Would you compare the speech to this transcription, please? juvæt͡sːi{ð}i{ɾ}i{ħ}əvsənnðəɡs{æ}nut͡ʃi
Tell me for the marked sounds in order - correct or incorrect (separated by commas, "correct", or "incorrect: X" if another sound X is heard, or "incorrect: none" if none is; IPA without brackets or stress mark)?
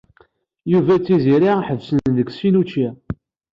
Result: incorrect: z, correct, correct, incorrect: i